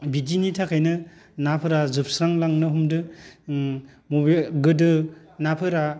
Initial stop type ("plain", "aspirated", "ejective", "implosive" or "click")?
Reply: plain